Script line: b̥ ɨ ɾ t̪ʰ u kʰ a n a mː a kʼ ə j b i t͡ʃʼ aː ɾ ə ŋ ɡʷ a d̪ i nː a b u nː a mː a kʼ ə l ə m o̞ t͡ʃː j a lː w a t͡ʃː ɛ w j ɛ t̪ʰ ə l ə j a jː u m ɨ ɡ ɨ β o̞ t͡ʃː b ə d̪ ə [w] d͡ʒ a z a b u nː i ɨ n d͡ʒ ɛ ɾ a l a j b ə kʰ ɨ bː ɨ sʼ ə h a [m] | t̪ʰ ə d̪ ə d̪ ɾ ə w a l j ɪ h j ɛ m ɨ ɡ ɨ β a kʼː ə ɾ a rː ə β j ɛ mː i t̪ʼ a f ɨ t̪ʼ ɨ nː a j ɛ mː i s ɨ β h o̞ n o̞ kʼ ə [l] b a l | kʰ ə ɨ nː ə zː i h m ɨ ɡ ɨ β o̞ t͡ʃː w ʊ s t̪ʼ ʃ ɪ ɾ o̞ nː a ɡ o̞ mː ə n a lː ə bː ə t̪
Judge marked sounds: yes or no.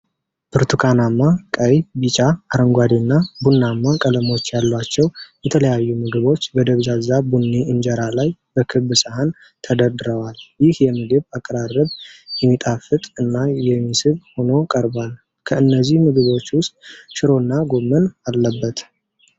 no, no, no

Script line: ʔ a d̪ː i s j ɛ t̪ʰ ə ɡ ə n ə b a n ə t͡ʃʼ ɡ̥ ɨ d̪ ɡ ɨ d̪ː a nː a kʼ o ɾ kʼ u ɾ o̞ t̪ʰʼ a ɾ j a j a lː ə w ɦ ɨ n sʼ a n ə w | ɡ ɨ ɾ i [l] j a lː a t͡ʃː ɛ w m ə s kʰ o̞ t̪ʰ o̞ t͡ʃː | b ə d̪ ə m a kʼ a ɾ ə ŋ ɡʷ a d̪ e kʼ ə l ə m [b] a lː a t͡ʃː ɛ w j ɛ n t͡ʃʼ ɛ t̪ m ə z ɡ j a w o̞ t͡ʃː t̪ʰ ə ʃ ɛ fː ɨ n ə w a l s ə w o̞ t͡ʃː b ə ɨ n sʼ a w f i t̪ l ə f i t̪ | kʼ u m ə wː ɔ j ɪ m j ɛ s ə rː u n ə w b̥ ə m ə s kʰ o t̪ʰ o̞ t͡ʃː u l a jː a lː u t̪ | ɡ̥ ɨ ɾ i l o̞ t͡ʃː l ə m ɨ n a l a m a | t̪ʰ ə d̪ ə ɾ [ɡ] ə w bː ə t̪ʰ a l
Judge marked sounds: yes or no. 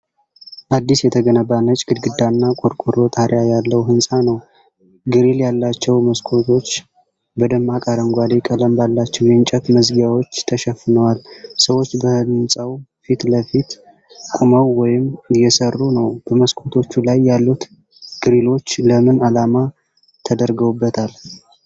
yes, yes, yes

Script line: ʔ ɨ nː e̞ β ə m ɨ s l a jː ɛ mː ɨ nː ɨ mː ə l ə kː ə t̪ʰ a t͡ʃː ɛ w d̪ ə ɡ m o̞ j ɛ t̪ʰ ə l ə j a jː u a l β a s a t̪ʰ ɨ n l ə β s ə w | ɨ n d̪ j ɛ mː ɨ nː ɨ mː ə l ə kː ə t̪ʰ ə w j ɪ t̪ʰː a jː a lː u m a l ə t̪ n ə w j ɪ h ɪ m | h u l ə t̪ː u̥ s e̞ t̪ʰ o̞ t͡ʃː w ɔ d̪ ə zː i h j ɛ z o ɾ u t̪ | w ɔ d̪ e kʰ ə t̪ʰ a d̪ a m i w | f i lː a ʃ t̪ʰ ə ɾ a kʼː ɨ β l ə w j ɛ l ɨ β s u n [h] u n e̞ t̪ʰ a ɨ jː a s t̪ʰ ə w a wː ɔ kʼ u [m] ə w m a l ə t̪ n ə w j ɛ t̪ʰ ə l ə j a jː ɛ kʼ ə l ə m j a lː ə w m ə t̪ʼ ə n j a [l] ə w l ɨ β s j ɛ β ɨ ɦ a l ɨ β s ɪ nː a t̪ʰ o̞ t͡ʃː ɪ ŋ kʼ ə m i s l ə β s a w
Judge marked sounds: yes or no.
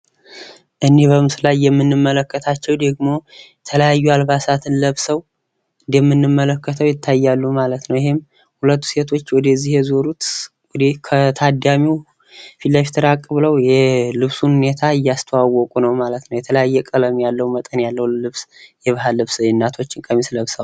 yes, no, no

